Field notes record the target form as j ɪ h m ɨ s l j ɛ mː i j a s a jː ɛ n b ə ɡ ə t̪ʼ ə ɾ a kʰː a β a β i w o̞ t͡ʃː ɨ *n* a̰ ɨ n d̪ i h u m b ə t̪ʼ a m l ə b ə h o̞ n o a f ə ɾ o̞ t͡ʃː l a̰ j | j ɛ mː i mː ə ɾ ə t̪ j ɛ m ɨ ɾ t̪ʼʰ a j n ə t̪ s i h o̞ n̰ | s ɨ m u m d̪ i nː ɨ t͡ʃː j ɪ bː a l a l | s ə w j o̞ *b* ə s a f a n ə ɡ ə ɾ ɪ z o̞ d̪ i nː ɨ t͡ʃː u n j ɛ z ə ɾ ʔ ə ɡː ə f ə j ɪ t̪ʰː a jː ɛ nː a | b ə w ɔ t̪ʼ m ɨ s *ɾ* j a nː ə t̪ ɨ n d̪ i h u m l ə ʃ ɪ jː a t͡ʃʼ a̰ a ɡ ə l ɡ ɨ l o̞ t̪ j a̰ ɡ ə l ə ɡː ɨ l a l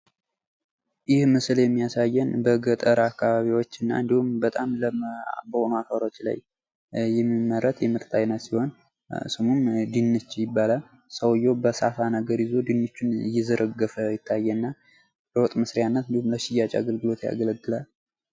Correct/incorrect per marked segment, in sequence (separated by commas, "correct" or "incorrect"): incorrect, correct, correct